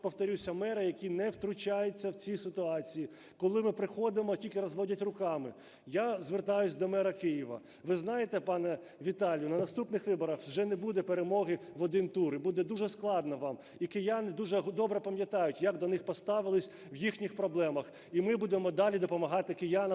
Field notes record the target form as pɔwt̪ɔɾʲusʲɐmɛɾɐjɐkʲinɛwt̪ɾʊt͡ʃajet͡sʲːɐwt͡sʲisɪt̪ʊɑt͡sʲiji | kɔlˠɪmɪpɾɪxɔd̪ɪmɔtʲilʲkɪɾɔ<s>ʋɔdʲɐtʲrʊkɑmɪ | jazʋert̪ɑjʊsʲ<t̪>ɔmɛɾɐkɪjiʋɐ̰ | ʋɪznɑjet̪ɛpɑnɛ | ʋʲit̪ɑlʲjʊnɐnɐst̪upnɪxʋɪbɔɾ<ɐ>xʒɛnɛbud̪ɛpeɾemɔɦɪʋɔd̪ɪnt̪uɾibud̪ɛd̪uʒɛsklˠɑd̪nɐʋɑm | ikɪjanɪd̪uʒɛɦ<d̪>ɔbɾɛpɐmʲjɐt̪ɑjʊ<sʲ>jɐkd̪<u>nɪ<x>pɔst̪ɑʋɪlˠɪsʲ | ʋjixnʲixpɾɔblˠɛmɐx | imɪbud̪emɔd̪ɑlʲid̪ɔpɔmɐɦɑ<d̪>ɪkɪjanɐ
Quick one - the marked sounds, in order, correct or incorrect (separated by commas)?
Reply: incorrect, incorrect, correct, correct, incorrect, incorrect, correct, incorrect